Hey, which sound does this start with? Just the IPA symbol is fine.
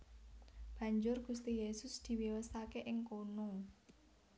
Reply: b̥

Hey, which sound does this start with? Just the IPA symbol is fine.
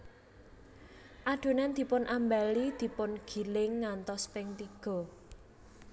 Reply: ʔ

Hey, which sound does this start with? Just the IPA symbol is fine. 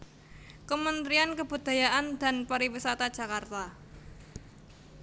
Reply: k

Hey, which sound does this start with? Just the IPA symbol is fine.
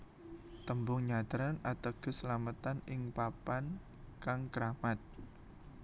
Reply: t̪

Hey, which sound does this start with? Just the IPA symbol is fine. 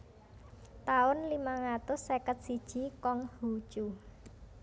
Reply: t̪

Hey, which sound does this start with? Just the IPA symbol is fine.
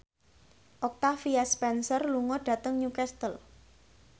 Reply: ʔ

